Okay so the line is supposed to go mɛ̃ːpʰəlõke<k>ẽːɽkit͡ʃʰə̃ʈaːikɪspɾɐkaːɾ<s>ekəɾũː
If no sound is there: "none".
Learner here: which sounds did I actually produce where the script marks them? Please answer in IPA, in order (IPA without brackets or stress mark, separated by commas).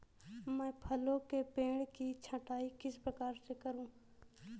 p, s